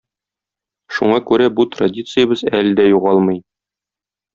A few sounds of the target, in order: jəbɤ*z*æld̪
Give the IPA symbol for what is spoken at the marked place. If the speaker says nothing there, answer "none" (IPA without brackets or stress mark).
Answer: z